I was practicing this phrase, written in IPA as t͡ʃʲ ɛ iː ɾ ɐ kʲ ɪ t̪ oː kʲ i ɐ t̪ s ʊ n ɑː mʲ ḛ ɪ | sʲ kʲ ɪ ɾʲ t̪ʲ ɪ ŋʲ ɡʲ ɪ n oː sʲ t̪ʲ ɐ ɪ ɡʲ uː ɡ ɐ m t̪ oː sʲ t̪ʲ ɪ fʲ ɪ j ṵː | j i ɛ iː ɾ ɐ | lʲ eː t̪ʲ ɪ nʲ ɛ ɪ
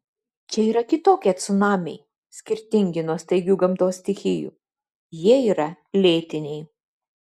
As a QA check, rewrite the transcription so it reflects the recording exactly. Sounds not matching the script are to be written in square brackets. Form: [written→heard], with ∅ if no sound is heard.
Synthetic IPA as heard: t͡ʃʲ ɛ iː ɾ ɐ kʲ ɪ t̪ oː kʲ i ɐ t̪ s ʊ n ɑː mʲ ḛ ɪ | sʲ kʲ ɪ ɾʲ t̪ʲ ɪ ŋʲ ɡʲ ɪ n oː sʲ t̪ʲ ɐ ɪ ɡʲ uː ɡ ɐ m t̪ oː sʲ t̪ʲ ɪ [fʲ→xʲ] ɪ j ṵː | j i ɛ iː ɾ ɐ | lʲ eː t̪ʲ ɪ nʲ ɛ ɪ